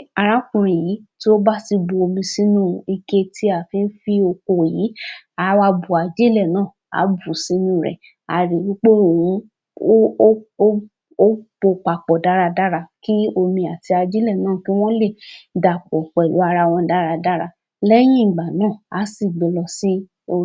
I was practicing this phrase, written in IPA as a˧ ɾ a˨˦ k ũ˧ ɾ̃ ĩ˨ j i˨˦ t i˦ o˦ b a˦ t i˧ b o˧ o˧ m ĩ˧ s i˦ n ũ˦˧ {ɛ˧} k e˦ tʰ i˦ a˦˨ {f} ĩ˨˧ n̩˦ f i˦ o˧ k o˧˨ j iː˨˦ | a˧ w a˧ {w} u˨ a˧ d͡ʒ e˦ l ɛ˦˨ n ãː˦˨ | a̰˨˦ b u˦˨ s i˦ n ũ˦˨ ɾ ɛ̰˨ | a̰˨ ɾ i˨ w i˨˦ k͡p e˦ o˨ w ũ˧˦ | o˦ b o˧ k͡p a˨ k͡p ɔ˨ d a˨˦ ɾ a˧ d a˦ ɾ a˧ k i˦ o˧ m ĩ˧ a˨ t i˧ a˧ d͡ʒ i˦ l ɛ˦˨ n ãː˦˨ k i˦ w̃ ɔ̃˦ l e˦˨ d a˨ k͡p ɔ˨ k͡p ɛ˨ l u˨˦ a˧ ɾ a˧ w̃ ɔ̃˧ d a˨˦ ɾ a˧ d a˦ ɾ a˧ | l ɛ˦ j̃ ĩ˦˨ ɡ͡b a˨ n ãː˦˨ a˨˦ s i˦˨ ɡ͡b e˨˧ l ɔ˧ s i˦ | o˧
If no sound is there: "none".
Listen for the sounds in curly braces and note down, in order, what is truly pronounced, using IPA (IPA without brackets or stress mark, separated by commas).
i˧, f, b